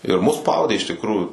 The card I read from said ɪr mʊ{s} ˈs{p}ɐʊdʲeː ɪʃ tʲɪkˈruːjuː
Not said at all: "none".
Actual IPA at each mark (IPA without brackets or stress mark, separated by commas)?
s, p